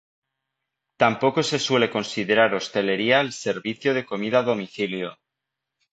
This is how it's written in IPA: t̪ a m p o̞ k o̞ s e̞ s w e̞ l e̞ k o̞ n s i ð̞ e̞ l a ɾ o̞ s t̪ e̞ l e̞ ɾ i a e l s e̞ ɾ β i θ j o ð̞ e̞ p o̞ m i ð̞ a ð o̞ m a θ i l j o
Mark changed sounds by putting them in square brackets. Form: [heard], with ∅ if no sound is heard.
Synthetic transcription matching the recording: t̪ a m p o̞ k o̞ s e̞ s w e̞ l e̞ k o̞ n s i ð̞ e̞ [ɾ] a ɾ o̞ s t̪ e̞ l e̞ ɾ i a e l s e̞ ɾ β i θ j o ð̞ e̞ [k] o̞ m i ð̞ a ð o̞ m [i] θ i l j o

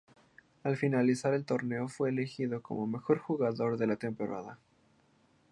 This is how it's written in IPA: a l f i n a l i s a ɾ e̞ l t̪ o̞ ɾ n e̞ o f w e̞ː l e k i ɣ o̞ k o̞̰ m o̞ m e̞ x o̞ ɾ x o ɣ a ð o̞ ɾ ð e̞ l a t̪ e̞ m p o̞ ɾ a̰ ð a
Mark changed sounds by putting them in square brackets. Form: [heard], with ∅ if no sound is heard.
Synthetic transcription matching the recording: a l f i n a l i s a ɾ e̞ l t̪ o̞ ɾ n e̞ o f w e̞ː l e [x] i [ð] o̞ k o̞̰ m o̞ m e̞ x o̞ ɾ x [u] ɣ a ð o̞ ɾ ð e̞ l a t̪ e̞ m p o̞ ɾ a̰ ð a

